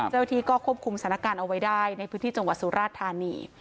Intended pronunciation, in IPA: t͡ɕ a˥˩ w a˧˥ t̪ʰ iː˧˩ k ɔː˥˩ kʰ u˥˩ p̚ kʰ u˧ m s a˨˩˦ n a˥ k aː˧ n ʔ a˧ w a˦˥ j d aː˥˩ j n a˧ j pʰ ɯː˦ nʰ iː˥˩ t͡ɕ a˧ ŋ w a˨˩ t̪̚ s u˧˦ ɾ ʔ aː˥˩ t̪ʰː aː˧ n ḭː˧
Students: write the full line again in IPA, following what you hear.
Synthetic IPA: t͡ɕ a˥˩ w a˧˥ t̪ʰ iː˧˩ k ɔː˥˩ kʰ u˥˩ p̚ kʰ u˧ m s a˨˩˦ n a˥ k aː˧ n ʔ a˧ w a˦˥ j d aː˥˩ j n a˧ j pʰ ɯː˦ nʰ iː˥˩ t͡ɕ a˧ ŋ w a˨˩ t̪̚ s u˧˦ ɾ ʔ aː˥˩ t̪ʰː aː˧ n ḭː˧